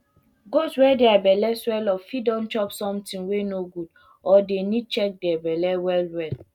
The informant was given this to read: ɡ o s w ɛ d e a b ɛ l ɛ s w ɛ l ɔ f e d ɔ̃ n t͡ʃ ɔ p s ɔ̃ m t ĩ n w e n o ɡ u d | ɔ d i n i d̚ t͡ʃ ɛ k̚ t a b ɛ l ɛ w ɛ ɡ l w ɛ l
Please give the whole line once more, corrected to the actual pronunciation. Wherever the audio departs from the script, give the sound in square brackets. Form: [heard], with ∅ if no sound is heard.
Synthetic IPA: ɡ o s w ɛ d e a b ɛ l ɛ s w ɛ l ɔ f [i] d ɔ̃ n t͡ʃ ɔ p s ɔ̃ m t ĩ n w e n o ɡ u d | ɔ d [e] n i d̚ t͡ʃ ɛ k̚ [d] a b ɛ l ɛ w ɛ [∅] l w ɛ l